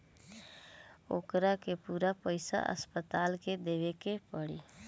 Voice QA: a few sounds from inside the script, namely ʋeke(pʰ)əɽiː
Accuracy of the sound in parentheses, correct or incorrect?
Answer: incorrect